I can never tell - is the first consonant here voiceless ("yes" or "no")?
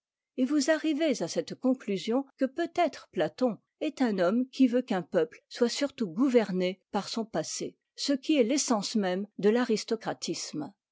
no